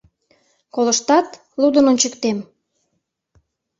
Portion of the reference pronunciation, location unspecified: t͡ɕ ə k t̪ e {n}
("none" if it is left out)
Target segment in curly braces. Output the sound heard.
m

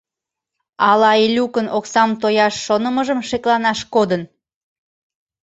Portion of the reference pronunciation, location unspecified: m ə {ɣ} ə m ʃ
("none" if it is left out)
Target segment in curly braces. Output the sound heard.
ʒ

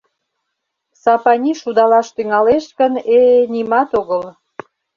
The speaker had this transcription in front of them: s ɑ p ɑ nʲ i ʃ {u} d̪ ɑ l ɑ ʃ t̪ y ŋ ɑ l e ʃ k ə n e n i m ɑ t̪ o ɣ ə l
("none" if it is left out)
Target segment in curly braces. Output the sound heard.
u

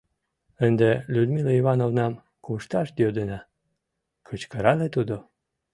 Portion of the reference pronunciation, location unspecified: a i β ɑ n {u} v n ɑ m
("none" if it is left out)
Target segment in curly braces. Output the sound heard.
o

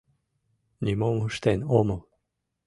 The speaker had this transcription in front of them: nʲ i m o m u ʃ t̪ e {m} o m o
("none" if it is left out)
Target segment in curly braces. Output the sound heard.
n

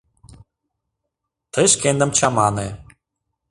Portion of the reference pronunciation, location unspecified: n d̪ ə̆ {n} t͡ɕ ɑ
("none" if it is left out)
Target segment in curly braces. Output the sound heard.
m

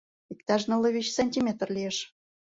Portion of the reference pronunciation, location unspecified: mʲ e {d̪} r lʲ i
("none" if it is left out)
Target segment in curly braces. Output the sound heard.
t̪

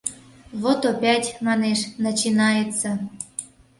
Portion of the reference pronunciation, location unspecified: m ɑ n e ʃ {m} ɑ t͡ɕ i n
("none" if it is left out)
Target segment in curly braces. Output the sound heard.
n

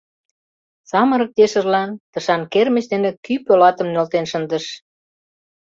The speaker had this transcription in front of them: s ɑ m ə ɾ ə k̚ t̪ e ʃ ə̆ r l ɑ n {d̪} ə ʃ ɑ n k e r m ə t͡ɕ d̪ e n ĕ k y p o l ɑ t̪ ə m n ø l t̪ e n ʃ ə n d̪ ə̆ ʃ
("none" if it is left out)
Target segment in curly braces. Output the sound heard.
t̪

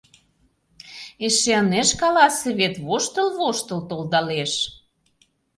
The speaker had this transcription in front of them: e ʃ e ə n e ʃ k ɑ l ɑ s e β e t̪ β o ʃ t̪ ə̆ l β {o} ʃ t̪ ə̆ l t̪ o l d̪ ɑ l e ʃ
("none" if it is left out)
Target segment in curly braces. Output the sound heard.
o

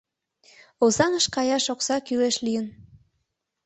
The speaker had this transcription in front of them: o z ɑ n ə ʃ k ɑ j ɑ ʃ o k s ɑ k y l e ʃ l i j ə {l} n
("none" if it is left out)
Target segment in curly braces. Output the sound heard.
none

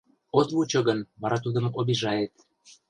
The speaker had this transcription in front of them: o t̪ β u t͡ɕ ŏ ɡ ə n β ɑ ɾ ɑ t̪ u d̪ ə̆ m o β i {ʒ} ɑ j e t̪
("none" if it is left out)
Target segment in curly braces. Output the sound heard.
ʒ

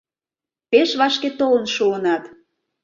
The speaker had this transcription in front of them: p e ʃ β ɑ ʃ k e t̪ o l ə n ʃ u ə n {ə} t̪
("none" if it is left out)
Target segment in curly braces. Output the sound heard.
ɑ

